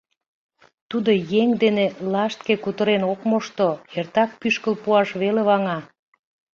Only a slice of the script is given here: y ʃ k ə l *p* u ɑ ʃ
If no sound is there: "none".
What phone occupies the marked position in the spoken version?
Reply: p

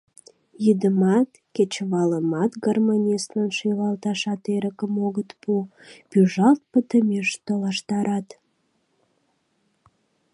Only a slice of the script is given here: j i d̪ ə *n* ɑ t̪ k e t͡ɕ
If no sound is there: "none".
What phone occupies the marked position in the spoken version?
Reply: m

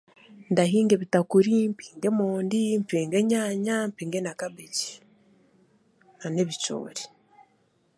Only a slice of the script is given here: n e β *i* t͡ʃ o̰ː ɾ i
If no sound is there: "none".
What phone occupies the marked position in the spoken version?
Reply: i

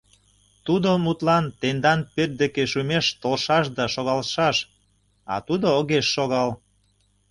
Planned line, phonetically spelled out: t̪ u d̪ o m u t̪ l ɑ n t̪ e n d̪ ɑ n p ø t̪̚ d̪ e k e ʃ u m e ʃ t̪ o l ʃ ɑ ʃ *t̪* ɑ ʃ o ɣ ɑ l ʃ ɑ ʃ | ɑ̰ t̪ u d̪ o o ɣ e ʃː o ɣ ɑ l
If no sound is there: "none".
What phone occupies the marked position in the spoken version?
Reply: d̪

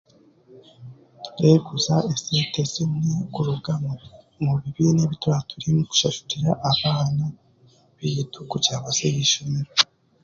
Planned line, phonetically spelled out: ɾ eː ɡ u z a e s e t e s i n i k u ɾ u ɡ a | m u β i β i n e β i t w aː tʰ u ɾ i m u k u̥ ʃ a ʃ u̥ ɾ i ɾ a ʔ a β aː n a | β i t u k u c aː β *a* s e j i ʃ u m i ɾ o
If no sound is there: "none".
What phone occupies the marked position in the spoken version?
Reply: a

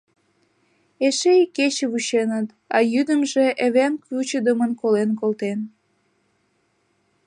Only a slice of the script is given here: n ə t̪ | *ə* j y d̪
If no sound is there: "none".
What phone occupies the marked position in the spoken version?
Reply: ɑ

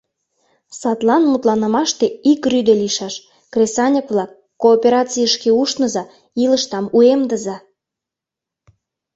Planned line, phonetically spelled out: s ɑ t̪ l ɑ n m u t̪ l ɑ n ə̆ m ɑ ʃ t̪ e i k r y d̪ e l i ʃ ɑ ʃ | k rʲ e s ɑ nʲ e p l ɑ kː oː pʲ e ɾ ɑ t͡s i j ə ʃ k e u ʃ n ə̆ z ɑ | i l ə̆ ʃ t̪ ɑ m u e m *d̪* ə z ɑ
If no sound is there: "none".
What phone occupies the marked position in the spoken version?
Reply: d̪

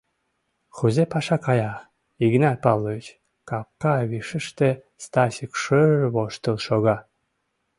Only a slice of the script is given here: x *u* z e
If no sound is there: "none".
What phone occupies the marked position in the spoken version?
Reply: u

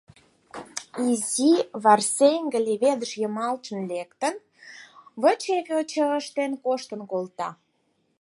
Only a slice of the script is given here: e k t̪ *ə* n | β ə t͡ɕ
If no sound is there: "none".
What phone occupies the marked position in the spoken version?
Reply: ə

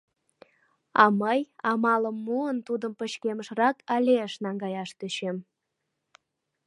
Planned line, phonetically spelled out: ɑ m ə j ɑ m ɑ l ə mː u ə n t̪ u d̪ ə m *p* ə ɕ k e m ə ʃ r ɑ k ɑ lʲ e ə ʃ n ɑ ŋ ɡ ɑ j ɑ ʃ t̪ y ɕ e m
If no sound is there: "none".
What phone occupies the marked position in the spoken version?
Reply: p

